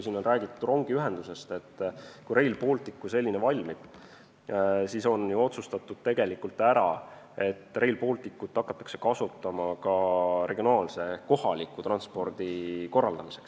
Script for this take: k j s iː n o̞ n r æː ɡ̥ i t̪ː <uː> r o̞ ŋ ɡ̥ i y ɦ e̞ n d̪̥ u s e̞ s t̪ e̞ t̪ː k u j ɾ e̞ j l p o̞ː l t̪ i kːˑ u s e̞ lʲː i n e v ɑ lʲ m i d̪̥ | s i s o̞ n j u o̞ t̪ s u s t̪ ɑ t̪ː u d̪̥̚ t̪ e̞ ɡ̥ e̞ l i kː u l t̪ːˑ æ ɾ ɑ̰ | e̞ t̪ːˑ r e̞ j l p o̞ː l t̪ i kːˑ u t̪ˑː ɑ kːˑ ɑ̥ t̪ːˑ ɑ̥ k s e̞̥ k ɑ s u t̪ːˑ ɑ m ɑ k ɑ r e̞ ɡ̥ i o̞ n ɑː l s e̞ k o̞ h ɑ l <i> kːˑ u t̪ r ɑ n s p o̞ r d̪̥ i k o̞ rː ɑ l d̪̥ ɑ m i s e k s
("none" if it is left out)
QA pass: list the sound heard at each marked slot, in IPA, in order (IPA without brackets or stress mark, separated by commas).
u, i